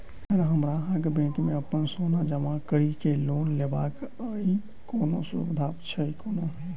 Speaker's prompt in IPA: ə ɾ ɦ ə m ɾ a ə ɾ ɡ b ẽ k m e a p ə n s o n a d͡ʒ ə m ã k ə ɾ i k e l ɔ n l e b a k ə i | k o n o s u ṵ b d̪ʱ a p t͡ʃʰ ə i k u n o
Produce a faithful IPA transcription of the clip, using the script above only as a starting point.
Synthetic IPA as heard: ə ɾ ɦ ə m ɾ a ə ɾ ɡ b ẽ k m e ə p ə n s o n a d͡ʒ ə m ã k ə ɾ i k e l o n l e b a k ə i | k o n o s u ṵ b d̪ʱ a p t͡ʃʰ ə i k o n o